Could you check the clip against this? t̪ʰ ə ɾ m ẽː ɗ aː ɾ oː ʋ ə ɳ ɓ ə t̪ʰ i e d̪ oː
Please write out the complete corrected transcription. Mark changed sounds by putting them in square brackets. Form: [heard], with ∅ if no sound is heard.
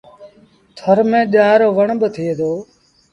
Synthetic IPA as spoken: t̪ʰ ə ɾ m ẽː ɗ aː ɾ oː ʋ ə ɳ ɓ ə t̪ʰ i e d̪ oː